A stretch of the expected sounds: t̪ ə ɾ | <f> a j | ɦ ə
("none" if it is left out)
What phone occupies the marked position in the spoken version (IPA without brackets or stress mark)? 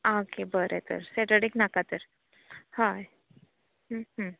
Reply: h